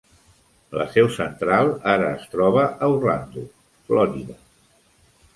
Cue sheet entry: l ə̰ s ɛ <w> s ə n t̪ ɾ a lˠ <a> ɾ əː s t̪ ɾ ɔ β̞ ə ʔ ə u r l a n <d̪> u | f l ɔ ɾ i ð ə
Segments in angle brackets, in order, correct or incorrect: correct, correct, correct

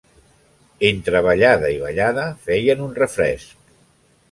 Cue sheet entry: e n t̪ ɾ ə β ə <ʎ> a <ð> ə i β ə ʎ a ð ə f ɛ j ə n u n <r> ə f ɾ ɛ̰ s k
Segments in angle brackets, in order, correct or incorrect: correct, correct, correct

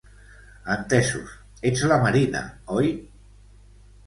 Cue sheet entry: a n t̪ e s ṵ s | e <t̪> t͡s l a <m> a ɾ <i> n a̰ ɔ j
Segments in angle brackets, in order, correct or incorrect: incorrect, correct, correct

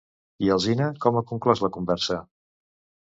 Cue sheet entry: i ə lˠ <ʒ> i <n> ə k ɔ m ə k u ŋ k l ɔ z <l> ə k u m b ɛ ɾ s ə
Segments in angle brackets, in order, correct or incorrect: incorrect, correct, correct

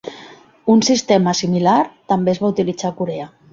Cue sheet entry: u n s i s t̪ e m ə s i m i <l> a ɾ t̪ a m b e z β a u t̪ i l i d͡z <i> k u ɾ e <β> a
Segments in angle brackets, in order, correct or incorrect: correct, incorrect, incorrect

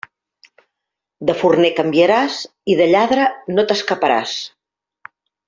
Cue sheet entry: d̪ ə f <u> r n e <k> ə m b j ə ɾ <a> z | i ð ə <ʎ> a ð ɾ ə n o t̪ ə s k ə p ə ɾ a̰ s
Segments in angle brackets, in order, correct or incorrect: correct, correct, correct, correct

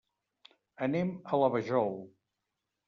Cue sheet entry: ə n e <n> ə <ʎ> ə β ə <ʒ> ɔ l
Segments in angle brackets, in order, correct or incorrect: incorrect, incorrect, correct

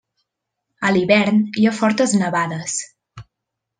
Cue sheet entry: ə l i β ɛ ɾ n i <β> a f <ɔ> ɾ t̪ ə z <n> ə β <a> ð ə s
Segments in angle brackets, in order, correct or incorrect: incorrect, correct, correct, correct

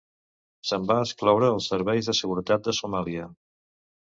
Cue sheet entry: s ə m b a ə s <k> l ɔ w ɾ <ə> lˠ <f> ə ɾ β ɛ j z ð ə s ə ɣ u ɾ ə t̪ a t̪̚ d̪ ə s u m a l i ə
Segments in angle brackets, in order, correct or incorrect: correct, incorrect, incorrect

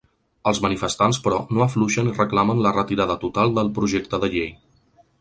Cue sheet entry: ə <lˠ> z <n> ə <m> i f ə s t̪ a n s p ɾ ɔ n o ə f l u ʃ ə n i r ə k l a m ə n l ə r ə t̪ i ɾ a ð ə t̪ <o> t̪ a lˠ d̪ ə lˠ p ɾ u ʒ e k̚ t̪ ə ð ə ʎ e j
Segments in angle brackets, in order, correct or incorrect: correct, incorrect, incorrect, incorrect

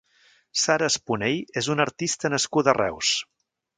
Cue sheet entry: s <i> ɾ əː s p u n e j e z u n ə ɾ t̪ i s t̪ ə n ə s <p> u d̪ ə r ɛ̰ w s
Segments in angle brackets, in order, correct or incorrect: incorrect, incorrect

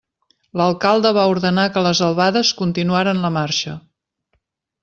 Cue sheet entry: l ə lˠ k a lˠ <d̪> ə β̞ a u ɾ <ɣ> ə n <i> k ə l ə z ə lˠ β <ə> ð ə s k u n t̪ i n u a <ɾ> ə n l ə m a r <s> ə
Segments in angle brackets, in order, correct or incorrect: correct, incorrect, incorrect, incorrect, correct, incorrect

